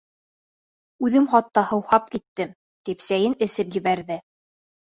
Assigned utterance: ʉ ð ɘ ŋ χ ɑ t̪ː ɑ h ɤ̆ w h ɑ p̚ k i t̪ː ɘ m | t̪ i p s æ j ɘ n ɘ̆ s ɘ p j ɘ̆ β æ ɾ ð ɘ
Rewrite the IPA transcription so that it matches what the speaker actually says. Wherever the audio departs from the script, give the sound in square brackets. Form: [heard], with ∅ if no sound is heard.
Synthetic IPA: ʉ ð ɘ [m] χ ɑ t̪ː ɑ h ɤ̆ w h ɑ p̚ k i t̪ː ɘ m | t̪ i p s æ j ɘ n ɘ̆ s ɘ p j ɘ̆ β æ ɾ ð ɘ